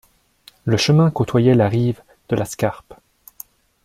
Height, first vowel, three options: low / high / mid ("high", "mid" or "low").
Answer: mid